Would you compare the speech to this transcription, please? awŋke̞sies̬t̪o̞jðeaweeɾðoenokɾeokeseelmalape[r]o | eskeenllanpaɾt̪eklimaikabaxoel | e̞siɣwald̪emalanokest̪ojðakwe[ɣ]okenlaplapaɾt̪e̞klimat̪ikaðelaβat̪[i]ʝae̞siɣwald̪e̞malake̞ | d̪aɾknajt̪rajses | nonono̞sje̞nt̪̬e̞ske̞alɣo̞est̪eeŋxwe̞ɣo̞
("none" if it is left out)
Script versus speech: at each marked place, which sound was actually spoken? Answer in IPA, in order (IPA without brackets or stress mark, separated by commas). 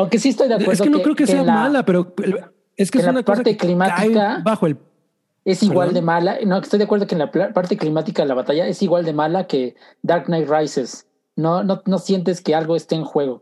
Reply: ɾ, ð, a